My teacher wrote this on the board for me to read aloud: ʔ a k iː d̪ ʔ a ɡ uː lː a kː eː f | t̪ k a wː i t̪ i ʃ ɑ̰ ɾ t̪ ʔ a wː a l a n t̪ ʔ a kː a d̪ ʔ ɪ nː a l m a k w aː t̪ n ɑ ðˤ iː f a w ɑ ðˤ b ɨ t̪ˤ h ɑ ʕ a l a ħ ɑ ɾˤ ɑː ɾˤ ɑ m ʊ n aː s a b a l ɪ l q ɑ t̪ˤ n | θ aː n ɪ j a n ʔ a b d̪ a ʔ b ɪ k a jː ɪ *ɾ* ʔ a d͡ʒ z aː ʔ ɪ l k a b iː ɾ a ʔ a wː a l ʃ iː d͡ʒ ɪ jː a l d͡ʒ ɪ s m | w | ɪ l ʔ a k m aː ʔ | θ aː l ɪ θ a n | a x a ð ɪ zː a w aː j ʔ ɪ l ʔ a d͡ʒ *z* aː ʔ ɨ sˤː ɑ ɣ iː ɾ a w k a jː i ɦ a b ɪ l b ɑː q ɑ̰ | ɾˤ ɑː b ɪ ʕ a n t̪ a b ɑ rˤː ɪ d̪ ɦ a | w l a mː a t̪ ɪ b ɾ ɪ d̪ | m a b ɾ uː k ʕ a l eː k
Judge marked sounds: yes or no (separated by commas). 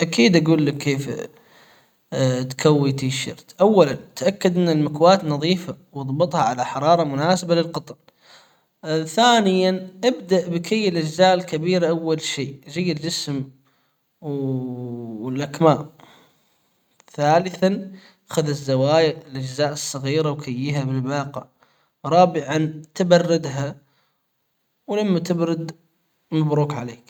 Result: no, yes